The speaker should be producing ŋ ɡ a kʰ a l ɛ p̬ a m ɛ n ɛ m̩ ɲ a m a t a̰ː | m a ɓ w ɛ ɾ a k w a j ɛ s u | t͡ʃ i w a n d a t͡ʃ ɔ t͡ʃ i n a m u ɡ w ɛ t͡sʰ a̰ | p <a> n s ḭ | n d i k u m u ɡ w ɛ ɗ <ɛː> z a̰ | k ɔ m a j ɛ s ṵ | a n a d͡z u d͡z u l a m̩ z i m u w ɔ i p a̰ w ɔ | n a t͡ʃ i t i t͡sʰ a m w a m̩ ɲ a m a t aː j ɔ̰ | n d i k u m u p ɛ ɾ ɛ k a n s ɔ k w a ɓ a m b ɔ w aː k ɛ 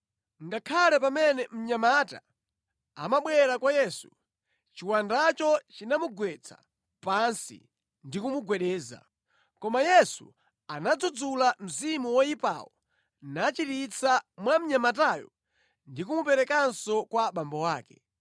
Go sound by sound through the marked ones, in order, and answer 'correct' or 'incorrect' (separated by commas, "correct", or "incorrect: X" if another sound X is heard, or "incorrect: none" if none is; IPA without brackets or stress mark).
correct, correct